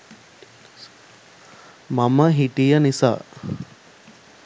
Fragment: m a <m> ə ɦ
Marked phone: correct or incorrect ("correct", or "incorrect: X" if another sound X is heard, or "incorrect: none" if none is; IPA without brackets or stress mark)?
correct